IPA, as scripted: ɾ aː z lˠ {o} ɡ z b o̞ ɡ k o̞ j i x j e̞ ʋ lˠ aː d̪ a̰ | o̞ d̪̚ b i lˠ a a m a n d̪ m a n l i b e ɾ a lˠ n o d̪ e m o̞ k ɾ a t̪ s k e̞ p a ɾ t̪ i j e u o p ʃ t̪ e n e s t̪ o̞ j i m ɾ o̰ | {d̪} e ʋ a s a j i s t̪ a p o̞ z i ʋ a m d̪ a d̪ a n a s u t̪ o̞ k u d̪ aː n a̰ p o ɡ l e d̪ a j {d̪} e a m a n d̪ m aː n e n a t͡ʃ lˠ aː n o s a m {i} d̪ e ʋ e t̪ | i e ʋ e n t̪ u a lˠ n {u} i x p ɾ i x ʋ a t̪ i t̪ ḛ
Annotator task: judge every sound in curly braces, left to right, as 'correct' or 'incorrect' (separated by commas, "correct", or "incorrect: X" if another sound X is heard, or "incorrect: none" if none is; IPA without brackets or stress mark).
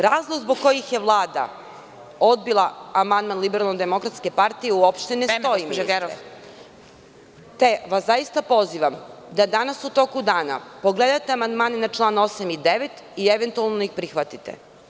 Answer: correct, incorrect: t̪, incorrect: t̪, correct, incorrect: o